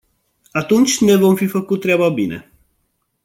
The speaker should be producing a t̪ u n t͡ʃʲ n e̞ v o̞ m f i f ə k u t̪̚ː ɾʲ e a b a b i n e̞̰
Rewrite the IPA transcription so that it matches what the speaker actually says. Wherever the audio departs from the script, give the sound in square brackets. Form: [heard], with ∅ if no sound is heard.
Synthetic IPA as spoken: a t̪ u n t͡ʃʲ n e̞ v o̞ m f i f ə k u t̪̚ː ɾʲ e a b a b i n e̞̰